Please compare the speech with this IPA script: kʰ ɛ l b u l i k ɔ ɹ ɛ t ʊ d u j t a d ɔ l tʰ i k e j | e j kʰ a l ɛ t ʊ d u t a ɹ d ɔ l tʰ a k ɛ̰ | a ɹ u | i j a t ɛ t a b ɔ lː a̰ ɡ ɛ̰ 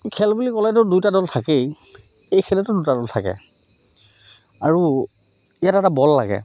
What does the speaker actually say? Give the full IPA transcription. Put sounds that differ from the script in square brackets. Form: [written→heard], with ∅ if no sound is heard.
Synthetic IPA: kʰ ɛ l b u l i k ɔ [ɹ→l] ɛ t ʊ d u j t a d ɔ l tʰ [i→a] k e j | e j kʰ [a→ɛ] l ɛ t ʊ d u t a [ɹ→∅] d ɔ l tʰ a k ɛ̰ | a ɹ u | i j a t ɛ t a b ɔ lː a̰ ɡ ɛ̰